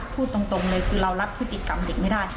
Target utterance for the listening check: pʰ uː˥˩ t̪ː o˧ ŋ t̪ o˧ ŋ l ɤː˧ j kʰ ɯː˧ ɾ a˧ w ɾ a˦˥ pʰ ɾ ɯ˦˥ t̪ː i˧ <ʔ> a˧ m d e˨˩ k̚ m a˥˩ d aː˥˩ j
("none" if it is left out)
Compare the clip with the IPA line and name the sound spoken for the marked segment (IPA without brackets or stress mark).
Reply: k